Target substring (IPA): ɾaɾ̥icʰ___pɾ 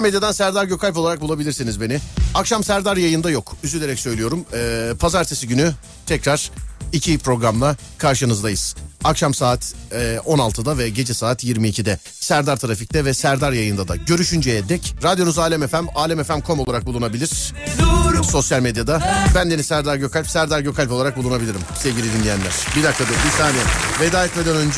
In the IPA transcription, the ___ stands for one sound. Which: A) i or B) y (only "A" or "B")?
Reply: A